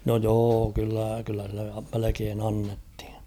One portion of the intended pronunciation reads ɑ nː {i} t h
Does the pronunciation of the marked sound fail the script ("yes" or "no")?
yes